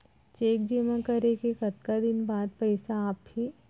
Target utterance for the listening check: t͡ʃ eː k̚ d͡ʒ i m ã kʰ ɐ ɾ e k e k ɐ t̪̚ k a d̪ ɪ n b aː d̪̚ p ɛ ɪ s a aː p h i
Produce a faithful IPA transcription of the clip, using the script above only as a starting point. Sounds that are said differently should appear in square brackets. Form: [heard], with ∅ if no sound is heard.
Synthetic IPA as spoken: t͡ʃ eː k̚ d͡ʒ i m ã [k] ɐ ɾ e k e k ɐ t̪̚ k a d̪ ɪ n b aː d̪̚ p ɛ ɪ s a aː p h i